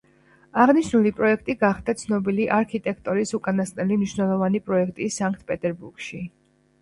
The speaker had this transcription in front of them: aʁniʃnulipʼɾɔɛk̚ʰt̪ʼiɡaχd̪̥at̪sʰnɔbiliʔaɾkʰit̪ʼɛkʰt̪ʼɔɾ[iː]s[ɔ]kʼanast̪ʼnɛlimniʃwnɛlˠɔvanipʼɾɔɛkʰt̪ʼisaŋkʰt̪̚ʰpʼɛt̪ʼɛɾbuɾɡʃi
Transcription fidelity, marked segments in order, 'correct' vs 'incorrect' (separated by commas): incorrect, incorrect